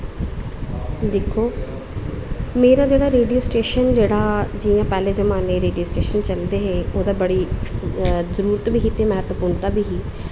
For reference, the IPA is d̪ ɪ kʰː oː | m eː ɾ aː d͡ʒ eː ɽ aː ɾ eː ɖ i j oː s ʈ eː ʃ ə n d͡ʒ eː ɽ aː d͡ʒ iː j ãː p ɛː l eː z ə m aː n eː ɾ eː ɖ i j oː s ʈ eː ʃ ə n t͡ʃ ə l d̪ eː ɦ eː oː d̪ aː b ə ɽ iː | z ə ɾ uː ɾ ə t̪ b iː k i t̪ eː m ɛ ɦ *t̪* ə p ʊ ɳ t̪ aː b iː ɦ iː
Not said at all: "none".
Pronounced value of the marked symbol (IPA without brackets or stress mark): t̪